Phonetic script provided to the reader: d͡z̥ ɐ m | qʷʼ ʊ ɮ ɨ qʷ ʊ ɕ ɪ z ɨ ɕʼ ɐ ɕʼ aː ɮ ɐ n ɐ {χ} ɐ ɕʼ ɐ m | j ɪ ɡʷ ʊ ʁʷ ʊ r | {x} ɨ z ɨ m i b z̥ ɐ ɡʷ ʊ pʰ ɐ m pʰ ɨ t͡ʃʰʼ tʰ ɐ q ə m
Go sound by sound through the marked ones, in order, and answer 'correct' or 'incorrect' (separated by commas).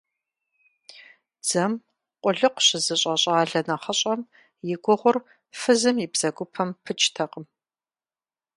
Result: correct, incorrect